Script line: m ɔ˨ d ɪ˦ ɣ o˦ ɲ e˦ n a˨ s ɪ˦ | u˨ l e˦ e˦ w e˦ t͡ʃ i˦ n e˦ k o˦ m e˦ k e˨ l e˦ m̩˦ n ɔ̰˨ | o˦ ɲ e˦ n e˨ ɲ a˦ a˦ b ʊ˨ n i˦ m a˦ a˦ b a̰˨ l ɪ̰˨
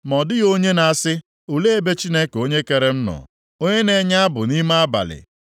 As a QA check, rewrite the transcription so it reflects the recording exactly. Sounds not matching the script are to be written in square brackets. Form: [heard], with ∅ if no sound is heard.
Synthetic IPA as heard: m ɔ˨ d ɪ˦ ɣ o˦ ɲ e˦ n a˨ s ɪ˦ | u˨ l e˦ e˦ [b] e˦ t͡ʃ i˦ n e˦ k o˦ [ɲ] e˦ k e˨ [ɾ] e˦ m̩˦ n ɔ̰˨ | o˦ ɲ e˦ n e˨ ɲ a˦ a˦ b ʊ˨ n i˦ m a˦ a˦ b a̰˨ l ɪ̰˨